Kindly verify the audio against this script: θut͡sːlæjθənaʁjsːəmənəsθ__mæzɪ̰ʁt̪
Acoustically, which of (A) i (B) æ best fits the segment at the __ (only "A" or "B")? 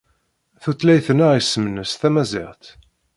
B